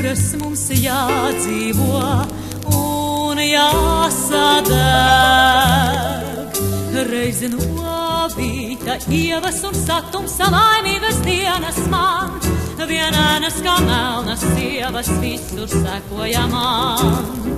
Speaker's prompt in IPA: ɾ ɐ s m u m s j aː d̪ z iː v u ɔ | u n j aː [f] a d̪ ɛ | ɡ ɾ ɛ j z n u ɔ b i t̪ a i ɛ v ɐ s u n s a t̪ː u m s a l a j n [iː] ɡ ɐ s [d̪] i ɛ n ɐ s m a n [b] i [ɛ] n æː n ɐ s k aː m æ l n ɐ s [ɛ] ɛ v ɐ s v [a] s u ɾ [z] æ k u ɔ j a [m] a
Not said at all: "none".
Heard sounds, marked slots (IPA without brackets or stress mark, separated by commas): s, iː, d̪, v, ɛ, i, i, s, m